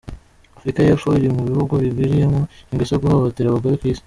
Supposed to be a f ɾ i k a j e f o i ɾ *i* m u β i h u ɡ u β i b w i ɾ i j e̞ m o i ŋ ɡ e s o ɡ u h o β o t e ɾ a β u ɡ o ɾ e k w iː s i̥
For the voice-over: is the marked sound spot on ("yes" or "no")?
yes